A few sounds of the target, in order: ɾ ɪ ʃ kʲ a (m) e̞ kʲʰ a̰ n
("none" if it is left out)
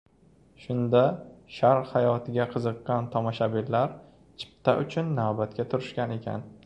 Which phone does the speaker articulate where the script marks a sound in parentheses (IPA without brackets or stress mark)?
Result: n